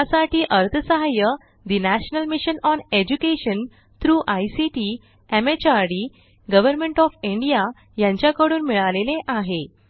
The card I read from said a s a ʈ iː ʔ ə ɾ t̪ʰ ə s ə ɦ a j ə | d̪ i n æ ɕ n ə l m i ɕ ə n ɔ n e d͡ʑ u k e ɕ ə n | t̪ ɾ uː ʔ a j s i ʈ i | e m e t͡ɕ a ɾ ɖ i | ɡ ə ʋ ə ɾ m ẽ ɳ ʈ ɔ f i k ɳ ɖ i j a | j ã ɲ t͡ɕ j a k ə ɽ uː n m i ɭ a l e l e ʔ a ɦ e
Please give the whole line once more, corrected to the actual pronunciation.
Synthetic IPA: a s a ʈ iː ʔ ə ɾ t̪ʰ ə s ə ɦ a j ə | d̪ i n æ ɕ n ə l m i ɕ ə n ɔ n e d͡ʑ u k e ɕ ə n | t̪ ɾ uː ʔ a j s i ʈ i | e m e t͡ɕ a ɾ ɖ i | ɡ ə ʋ ə ɾ m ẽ ɳ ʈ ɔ f i ɳ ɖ i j a | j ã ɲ t͡ɕ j a k ə ɽ uː n m i ɭ a l e l e ʔ a ɦ e